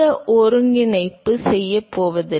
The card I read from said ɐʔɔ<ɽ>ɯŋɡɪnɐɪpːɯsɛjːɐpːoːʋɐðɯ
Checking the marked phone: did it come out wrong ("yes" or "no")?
yes